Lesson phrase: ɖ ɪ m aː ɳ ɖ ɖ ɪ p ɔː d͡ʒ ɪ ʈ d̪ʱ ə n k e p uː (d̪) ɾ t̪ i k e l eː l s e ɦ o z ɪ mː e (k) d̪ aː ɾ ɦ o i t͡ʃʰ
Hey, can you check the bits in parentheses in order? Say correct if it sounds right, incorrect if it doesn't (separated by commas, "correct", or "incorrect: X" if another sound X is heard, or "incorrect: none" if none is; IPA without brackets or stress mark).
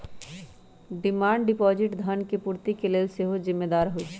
incorrect: none, incorrect: none